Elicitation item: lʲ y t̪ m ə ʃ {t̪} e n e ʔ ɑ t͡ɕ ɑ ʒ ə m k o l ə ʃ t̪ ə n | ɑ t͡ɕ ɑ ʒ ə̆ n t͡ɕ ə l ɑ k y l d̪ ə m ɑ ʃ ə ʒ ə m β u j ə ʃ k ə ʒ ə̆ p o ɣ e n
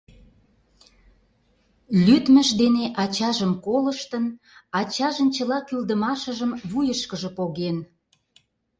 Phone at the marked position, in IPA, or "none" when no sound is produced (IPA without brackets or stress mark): d̪